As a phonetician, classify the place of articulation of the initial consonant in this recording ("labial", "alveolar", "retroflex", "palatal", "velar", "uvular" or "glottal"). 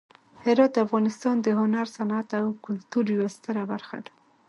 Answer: glottal